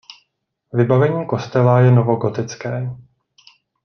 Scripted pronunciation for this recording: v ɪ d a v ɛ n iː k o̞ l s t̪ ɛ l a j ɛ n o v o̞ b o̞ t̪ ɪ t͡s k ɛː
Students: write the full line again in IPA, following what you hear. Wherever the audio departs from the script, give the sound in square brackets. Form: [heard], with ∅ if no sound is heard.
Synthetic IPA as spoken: v ɪ [b] a v ɛ [ɲ] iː k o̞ [∅] s t̪ ɛ l a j ɛ n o v o̞ [ɡ] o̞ t̪ ɪ t͡s k ɛː